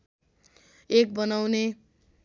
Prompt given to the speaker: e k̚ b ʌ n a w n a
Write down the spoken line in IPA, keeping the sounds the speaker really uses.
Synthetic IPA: e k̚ b ʌ n a w n e